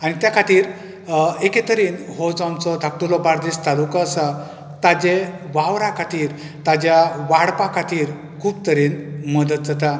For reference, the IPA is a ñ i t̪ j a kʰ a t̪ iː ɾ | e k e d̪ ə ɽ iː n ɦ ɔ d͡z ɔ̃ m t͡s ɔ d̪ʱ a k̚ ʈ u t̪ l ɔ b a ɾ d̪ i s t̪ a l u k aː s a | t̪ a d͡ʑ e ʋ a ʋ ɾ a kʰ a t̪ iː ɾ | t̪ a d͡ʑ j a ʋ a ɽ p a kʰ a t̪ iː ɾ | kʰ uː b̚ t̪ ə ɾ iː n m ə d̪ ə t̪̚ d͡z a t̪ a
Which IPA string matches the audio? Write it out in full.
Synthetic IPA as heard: a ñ i t̪ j a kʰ a t̪ iː ɾ | e k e t̪ ə ɾ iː n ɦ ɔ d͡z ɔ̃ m t͡s ɔ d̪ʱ a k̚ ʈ u l ɔ b a ɾ d̪ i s t̪ a l u k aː s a | t̪ a d͡ʑ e ʋ a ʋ ɾ a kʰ a t̪ iː ɾ | t̪ a d͡ʑ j a ʋ a ɽ p a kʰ a t̪ iː ɾ | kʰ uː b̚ t̪ ə ɾ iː n m ə d̪ ə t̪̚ d͡z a t̪ a